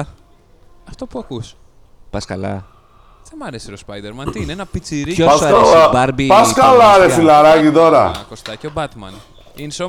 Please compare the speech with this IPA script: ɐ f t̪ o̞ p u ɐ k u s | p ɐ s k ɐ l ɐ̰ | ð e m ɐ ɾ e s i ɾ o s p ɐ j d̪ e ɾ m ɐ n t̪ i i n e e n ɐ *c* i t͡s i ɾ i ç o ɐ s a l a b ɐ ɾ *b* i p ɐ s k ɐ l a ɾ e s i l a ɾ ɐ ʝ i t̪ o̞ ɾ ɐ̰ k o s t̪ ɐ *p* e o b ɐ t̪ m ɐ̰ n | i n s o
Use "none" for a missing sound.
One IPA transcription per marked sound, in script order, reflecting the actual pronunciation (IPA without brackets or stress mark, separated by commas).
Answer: p, b, c